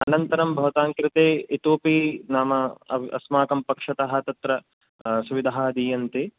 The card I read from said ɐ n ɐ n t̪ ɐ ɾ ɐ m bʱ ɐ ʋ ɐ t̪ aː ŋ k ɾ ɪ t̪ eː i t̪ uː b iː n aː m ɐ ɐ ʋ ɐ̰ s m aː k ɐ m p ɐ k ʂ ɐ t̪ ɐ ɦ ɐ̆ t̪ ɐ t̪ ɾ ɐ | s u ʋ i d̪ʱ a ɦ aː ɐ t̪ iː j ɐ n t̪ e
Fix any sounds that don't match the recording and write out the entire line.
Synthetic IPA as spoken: ɐ n ɐ n t̪ ɐ ɾ ɐ m bʱ ɐ ʋ ɐ t̪ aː ŋ k ɾ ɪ t̪ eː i t̪ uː p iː n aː m ɐ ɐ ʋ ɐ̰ s m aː k ɐ m p ɐ k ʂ ɐ t̪ ɐ ɦ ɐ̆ t̪ ɐ t̪ ɾ ɐ | s u ʋ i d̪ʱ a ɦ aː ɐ d̪ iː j ɐ n t̪ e